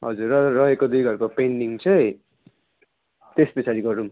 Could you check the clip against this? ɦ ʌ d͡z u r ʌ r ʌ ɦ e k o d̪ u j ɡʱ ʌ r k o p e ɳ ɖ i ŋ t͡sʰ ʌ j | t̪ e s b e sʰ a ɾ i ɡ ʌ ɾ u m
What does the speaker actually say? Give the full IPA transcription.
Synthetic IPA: ɦ ʌ d͡z u r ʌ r ʌ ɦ e k o d̪ u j ɡʱ ʌ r k o p e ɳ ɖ i ŋ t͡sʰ ʌ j | t̪ e s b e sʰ a ɾ i ɡ ʌ ɾ u m